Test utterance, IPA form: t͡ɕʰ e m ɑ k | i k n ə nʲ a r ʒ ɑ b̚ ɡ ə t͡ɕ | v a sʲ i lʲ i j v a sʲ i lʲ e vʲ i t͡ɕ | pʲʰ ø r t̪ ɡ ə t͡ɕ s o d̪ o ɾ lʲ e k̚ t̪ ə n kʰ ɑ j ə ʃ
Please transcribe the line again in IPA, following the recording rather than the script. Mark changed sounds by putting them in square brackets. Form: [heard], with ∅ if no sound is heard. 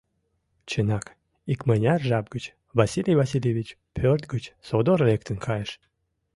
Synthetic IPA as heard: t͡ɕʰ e [n] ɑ k | i k [m] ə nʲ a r ʒ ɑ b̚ ɡ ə t͡ɕ | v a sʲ i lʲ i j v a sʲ i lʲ e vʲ i t͡ɕ | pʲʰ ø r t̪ ɡ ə t͡ɕ s o d̪ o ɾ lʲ e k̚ t̪ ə n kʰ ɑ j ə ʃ